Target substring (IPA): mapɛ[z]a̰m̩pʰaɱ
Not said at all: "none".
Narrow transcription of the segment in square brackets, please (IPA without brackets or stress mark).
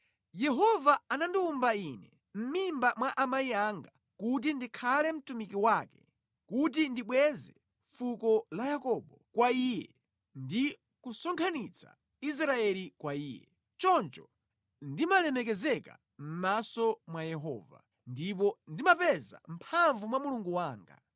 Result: z